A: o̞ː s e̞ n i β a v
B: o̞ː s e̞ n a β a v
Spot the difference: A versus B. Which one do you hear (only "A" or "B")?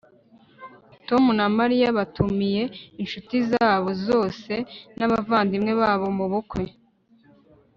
B